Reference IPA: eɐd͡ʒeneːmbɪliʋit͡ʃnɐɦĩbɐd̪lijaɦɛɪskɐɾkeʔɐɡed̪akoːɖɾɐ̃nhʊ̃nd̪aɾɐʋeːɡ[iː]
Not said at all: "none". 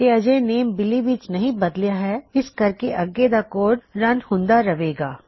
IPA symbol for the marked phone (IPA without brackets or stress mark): aː